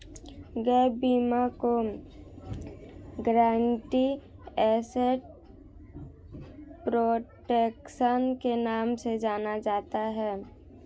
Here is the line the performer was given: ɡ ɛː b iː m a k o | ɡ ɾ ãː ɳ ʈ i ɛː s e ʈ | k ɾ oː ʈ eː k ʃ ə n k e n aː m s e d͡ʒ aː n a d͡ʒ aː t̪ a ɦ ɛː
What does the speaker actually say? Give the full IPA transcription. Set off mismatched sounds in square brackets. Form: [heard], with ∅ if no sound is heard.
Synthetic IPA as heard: ɡ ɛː b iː m a k o | ɡ ɾ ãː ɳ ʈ i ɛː s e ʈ | [p] ɾ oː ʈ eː k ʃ ə n k e n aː m s e d͡ʒ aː n a d͡ʒ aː t̪ a ɦ ɛː